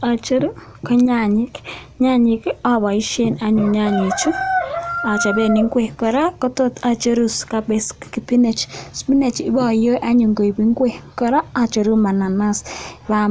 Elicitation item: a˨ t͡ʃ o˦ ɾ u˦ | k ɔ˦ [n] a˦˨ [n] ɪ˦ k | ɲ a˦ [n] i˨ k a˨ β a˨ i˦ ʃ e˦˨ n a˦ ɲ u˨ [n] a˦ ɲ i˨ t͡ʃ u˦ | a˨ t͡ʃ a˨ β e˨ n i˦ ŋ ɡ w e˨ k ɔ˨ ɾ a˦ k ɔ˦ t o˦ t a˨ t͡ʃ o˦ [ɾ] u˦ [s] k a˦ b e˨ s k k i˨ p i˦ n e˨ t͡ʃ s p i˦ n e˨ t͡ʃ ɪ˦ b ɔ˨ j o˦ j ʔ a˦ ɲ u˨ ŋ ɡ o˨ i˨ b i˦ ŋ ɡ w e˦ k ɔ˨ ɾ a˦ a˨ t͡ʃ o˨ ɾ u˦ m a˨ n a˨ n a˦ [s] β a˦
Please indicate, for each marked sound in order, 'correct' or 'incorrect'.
incorrect: ɲ, incorrect: ɲ, incorrect: ɲ, incorrect: ɲ, correct, correct, correct

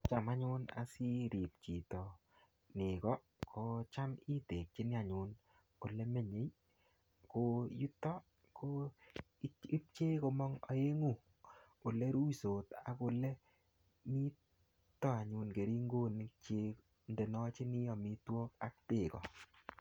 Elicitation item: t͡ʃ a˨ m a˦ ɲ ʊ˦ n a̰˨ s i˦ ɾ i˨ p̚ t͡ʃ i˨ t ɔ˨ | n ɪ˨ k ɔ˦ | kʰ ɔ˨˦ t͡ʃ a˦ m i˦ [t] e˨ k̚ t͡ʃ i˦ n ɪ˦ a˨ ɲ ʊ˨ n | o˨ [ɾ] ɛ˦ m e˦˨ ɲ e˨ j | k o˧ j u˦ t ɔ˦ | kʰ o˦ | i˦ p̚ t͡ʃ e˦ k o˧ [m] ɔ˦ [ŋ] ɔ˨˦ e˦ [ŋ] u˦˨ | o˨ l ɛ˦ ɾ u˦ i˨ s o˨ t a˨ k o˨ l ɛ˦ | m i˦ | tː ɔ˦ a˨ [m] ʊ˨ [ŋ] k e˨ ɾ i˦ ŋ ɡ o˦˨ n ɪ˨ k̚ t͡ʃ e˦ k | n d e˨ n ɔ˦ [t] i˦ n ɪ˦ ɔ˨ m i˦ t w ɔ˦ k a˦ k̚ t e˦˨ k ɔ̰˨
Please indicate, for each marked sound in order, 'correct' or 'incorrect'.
correct, incorrect: l, correct, correct, correct, incorrect: ɲ, incorrect: n, incorrect: t͡ʃ

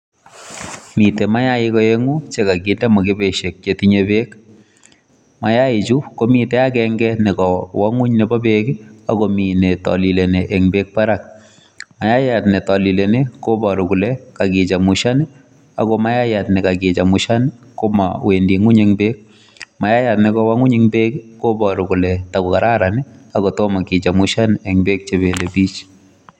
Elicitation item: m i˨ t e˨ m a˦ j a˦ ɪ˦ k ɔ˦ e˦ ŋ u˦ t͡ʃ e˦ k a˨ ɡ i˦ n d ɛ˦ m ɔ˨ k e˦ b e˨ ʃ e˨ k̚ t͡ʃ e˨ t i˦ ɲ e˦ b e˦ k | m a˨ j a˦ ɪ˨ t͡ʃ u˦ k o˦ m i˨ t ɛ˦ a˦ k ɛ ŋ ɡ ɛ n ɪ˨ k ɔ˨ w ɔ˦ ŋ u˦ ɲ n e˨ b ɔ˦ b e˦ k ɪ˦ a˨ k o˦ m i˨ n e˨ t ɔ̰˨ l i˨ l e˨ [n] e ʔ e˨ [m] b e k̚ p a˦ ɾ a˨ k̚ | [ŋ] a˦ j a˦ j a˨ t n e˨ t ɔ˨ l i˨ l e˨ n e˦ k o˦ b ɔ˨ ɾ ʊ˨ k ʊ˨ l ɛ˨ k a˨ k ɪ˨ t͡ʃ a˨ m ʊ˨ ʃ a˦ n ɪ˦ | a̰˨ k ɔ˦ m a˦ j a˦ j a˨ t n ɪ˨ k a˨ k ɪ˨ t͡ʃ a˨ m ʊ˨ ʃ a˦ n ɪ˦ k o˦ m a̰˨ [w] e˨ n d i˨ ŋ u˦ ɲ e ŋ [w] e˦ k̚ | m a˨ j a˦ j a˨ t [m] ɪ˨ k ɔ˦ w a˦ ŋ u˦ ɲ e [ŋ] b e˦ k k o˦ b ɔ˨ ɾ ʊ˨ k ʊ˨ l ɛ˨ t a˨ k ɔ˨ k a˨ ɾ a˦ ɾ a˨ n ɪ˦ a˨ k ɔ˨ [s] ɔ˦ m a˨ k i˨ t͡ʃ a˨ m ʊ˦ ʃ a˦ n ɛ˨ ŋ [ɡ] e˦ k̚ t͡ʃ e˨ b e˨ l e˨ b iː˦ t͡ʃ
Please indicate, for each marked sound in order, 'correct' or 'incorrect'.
correct, incorrect: ŋ, incorrect: m, correct, incorrect: b, incorrect: n, correct, incorrect: t, incorrect: b

